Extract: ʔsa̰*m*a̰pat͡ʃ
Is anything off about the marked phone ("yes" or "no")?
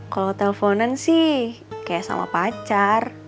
no